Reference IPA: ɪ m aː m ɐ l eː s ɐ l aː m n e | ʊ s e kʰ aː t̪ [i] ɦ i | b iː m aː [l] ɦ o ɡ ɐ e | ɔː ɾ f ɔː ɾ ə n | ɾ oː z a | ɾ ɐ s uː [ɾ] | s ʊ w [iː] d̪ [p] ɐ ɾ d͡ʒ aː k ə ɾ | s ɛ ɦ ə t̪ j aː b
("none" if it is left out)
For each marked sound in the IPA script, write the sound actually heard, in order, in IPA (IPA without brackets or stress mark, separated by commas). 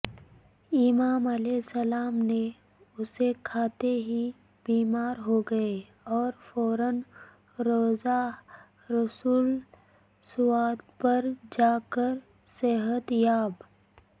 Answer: e, ɾ, l, aː, p